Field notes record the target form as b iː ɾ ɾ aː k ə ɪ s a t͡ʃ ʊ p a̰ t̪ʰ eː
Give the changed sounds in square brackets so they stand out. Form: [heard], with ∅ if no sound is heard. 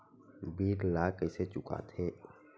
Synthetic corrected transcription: b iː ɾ [l] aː k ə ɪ s [e] t͡ʃ ʊ [k] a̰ t̪ʰ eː